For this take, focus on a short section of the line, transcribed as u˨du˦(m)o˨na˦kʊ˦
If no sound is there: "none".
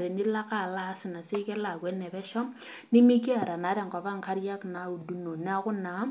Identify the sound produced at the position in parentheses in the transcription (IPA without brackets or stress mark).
n